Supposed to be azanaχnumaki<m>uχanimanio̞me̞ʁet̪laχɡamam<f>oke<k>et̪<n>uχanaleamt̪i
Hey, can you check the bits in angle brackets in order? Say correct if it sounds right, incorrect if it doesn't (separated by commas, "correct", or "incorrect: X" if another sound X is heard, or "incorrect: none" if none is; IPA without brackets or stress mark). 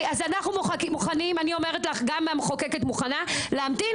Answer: correct, incorrect: χ, correct, incorrect: m